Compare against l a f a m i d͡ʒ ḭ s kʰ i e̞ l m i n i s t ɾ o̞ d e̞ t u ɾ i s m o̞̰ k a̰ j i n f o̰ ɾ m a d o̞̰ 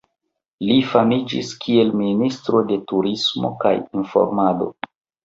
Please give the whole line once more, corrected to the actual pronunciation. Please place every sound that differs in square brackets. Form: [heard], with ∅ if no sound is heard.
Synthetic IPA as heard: l [i] f a m i d͡ʒ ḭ s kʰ i e̞ l m i n i s t ɾ o̞ d e̞ t u ɾ i s m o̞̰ k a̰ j i n f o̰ ɾ m a d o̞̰

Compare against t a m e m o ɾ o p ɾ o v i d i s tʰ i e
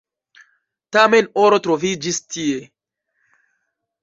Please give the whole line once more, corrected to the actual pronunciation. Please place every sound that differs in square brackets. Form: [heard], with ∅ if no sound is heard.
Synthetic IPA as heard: t a m e [n] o ɾ o [t] ɾ o v i [d͡ʒ] i s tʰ i e

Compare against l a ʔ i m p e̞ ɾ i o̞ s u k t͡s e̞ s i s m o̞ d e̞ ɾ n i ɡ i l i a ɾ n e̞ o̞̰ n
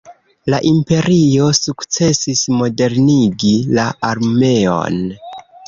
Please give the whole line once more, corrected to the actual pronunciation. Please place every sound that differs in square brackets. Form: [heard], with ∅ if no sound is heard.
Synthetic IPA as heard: l a ʔ i m p e̞ ɾ i o̞ s u k t͡s e̞ s i s m o̞ d e̞ ɾ n i ɡ i l [a] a ɾ [m] e̞ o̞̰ n

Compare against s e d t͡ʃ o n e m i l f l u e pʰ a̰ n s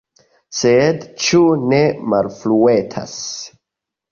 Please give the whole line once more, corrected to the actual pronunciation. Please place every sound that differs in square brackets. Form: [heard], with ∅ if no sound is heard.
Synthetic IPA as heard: s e d t͡ʃ [u] n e m [a] l f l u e [tʰ] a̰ [∅] s

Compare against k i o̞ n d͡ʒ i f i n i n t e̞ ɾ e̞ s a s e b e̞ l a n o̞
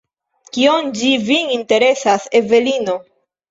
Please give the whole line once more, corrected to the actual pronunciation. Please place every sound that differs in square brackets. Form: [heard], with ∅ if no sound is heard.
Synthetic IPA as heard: k i o̞ n d͡ʒ i [v] i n i n t e̞ ɾ e̞ s a s e [v] e̞ l [i] n o̞

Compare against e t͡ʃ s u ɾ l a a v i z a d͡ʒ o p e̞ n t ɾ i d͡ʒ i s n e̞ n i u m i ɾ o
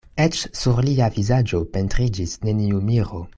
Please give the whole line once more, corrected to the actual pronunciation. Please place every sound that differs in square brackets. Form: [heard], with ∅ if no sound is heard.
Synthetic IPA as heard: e t͡ʃ s u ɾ l [i] a v i z a d͡ʒ o p e̞ n t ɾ i d͡ʒ i s n e̞ n i u m i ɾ o

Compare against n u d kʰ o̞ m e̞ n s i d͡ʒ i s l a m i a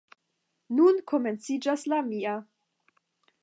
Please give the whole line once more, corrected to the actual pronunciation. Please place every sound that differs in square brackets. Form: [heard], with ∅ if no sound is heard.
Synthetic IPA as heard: n u [n] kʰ o̞ m e̞ n [t͡s] i d͡ʒ [a] s l a m i a

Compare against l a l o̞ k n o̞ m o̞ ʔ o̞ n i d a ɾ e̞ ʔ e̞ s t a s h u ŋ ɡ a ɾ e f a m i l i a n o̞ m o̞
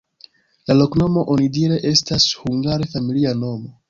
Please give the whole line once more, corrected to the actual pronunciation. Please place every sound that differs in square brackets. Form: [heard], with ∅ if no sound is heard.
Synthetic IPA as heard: l a l o̞ k n o̞ m o̞ ʔ o̞ n i d [i] ɾ e̞ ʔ e̞ s t a s h u ŋ ɡ a ɾ e f a m i l i a n o̞ m o̞

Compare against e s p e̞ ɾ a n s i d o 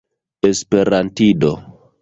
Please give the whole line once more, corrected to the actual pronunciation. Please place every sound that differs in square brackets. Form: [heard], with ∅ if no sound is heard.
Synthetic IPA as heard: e s p e̞ ɾ a n [t] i d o

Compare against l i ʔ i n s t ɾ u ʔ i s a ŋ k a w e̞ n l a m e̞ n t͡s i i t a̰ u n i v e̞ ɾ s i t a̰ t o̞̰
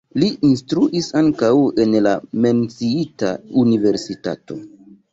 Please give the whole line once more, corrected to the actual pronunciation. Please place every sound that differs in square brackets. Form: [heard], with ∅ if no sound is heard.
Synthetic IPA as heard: l i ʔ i n s t ɾ u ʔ i s a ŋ k a w e̞ n l a m e̞ n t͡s i i t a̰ u n i v e̞ ɾ s i t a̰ t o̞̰

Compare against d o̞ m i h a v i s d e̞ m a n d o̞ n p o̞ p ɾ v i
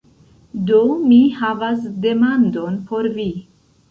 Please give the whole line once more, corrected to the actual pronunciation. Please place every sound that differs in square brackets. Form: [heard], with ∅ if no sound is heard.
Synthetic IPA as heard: d o̞ m i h a v [a] s d e̞ m a n d o̞ n p o̞ [∅] ɾ v i

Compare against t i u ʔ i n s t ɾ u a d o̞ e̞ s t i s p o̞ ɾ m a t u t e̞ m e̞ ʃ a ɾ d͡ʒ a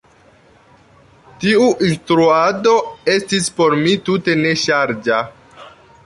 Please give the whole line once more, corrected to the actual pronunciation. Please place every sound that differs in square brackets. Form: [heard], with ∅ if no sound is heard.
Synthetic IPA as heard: t i u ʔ i n s t ɾ u a d o̞ e̞ s t i s p o̞ ɾ m [i] t u t e̞ [n] e̞ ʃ a ɾ d͡ʒ a

